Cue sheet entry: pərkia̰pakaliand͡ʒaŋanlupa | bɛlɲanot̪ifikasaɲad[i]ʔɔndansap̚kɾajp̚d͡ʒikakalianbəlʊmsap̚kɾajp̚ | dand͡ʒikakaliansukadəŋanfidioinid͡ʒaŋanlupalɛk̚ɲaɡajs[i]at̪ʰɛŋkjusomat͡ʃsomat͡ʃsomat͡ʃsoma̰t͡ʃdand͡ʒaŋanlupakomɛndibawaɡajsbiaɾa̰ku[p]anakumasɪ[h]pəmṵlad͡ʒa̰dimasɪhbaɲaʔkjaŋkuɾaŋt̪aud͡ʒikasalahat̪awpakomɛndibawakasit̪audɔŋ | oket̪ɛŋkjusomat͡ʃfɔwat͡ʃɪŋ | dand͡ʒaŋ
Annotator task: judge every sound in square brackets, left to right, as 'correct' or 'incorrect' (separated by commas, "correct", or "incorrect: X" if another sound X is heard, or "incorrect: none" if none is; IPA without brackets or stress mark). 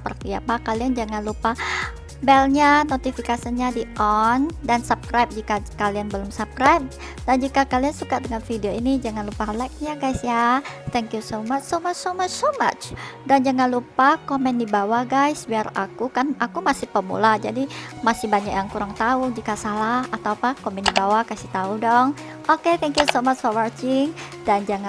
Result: correct, incorrect: j, incorrect: k, correct